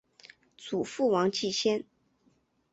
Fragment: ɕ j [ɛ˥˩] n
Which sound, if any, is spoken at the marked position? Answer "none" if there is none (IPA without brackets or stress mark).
ɛ˥